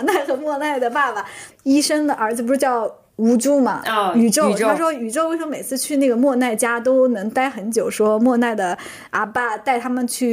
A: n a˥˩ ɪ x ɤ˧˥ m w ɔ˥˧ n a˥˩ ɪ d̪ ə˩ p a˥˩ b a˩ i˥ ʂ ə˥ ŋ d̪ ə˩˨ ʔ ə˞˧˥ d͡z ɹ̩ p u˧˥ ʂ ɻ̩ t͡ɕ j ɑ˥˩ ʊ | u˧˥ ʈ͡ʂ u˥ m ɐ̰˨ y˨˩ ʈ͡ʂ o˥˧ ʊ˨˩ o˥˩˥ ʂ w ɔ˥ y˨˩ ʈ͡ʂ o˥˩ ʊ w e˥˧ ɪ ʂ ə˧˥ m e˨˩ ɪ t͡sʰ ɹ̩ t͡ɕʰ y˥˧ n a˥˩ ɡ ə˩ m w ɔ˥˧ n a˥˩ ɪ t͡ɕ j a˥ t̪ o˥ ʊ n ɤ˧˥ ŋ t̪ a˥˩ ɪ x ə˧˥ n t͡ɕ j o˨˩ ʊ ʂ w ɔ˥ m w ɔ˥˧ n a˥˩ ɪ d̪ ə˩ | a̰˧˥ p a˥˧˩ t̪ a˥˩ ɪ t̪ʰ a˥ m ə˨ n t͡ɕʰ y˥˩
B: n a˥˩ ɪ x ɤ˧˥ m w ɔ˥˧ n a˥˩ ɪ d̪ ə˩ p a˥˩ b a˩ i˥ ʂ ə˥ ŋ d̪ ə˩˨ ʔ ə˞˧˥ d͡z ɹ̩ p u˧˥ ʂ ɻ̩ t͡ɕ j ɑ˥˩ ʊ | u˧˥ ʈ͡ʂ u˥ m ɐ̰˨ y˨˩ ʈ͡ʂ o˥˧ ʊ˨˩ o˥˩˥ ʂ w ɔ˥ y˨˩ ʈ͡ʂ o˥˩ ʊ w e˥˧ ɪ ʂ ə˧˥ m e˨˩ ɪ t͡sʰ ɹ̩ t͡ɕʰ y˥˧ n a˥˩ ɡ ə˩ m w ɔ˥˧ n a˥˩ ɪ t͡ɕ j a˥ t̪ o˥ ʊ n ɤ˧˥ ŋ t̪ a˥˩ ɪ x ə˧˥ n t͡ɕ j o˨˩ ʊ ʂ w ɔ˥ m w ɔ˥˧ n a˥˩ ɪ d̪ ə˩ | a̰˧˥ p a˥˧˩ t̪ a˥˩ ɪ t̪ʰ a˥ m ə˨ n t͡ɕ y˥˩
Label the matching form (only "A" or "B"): A